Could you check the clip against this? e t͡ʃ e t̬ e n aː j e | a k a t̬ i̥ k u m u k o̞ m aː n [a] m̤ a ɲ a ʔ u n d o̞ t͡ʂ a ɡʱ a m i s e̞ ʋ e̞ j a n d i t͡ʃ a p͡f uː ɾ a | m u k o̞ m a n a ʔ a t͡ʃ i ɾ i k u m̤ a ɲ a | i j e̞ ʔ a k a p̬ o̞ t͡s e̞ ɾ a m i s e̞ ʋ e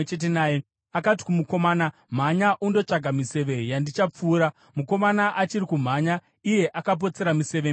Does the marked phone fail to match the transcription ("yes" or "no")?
no